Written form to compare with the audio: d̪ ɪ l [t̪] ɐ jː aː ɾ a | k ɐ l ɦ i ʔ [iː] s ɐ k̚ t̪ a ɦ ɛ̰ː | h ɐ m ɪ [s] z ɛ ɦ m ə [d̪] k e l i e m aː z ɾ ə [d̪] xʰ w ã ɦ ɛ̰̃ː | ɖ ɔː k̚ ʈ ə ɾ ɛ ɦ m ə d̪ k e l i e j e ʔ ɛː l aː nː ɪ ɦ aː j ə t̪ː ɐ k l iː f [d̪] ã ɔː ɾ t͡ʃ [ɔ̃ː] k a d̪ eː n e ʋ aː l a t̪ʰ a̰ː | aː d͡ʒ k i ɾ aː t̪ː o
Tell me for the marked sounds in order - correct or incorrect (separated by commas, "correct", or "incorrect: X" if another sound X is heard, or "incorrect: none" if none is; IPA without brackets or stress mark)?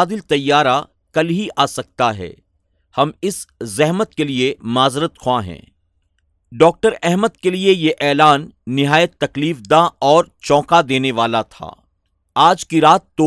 correct, incorrect: aː, correct, incorrect: t̪, incorrect: t̪, correct, correct